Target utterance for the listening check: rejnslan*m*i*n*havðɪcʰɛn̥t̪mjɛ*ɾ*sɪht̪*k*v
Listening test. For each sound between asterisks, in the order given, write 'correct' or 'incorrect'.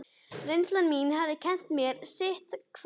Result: correct, correct, correct, incorrect

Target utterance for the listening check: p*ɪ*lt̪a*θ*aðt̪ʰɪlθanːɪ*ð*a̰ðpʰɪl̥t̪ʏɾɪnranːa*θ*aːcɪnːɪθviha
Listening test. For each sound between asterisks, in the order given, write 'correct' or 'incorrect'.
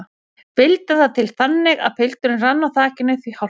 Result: correct, correct, incorrect, correct

